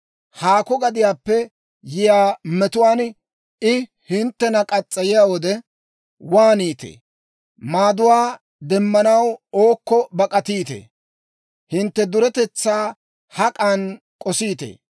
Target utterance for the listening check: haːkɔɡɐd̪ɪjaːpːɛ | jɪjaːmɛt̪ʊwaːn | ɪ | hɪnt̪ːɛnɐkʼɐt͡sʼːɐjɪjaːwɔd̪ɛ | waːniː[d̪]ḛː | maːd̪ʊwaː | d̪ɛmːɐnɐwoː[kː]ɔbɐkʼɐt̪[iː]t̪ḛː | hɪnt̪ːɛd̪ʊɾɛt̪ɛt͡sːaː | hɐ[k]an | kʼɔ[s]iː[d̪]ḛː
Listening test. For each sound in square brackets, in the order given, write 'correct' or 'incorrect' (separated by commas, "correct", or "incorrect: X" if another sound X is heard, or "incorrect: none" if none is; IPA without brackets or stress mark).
incorrect: t̪, correct, correct, incorrect: kʼ, correct, incorrect: t̪